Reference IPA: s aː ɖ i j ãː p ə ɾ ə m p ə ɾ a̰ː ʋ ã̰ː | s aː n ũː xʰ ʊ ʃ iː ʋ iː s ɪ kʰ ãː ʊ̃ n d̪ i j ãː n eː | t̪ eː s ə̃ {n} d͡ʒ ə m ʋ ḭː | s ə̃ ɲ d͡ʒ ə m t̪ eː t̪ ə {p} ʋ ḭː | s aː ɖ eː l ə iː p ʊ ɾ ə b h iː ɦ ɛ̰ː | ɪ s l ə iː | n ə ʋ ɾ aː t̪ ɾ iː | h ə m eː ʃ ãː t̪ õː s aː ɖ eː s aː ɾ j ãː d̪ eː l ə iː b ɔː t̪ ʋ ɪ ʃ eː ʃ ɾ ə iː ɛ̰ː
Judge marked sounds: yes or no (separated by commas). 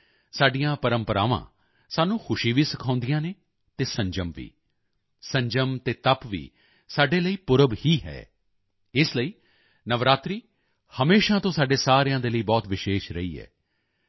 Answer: no, yes